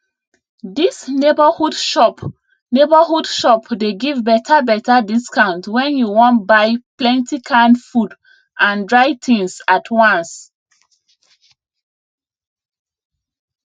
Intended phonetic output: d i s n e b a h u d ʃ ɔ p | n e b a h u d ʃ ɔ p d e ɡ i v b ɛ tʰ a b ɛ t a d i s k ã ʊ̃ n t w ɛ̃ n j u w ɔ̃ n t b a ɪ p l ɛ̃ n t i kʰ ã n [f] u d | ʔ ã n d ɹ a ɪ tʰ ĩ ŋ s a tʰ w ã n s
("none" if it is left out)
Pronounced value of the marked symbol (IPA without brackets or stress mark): f